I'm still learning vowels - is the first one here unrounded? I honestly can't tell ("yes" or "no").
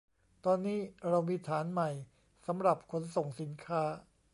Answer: no